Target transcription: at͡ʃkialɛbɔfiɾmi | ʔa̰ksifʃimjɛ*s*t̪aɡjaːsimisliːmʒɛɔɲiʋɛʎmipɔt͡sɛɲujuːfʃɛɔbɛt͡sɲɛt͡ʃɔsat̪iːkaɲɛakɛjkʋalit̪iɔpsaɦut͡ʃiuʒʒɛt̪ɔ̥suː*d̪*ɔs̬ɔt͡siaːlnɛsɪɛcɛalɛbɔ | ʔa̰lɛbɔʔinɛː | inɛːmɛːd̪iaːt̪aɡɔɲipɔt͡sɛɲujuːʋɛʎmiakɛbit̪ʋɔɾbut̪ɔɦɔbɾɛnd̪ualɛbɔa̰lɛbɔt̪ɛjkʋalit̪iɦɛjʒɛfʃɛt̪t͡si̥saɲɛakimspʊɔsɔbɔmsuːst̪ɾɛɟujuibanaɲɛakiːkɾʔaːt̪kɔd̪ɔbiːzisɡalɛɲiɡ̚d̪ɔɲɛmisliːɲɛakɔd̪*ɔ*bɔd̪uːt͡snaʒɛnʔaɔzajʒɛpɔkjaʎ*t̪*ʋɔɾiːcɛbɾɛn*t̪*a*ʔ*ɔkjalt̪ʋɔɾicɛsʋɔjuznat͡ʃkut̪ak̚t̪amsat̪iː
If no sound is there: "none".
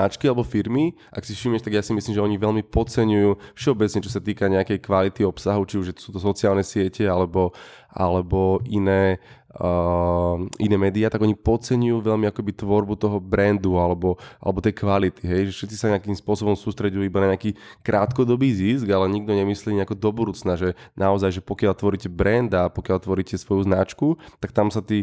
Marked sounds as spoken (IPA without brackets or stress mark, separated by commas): ʃ, t̪, ɔ, t̪, d̪, p